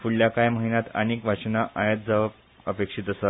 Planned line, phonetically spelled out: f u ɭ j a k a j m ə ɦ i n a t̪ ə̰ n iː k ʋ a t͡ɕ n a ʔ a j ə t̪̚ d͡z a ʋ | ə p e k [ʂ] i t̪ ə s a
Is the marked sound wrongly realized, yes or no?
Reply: no